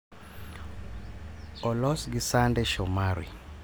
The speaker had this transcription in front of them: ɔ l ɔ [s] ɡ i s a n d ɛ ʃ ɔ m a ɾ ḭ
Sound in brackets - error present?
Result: no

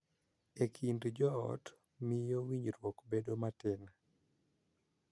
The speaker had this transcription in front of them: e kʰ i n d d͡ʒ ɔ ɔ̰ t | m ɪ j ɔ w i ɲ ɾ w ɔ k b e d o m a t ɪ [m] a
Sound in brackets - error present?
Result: yes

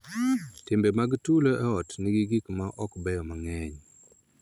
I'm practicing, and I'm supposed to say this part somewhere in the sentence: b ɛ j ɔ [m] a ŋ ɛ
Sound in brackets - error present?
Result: no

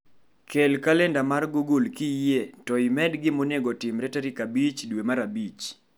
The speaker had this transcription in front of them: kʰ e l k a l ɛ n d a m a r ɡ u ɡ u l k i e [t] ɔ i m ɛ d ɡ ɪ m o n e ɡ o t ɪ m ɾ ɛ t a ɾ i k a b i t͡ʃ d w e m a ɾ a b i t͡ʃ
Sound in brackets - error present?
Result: no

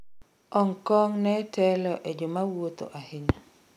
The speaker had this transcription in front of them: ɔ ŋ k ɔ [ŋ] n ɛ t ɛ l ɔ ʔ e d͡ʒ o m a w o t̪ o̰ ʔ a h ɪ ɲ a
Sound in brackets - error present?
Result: no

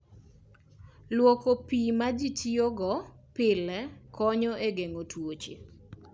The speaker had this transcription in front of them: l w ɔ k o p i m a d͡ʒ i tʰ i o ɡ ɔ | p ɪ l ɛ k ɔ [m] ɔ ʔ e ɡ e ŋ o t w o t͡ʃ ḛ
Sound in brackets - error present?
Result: yes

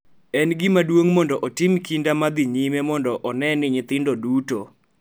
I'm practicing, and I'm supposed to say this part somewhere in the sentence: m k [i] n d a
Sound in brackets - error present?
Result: no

